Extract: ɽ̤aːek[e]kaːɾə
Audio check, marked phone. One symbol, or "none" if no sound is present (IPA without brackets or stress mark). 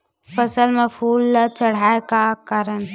a